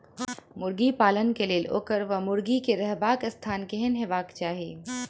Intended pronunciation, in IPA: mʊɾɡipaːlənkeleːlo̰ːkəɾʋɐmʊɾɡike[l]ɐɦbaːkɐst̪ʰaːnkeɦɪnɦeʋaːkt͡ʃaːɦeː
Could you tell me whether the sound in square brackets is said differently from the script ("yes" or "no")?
yes